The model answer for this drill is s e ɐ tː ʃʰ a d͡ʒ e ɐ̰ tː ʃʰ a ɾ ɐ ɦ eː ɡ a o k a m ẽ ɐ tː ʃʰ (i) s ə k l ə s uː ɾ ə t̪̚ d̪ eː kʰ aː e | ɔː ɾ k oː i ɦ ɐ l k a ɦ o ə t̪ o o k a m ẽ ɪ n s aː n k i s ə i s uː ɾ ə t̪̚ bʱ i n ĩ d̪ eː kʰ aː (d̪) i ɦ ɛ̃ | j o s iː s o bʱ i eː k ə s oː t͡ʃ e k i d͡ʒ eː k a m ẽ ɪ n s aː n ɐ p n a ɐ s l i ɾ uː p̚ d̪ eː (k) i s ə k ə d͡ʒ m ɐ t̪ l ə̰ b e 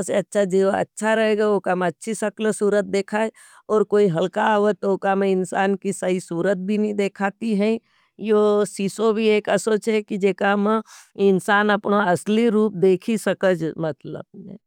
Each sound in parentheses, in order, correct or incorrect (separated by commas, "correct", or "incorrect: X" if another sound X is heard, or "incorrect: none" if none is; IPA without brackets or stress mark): correct, incorrect: t̪, incorrect: kʰ